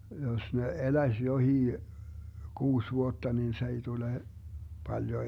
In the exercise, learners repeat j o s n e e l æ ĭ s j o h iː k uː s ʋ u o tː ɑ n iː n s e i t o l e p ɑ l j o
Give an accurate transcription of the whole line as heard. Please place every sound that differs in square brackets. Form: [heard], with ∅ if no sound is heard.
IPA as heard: j o s n e e l æ ĭ s j o h iː k uː s ʋ u o tː ɑ n [i] n s e i t [u] l e p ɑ l j o